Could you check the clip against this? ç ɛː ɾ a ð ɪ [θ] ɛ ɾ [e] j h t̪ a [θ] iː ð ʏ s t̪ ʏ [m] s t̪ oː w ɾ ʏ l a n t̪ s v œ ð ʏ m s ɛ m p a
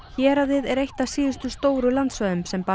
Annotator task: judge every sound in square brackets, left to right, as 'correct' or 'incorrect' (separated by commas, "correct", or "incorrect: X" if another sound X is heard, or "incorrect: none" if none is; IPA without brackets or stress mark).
incorrect: ð, correct, incorrect: s, incorrect: none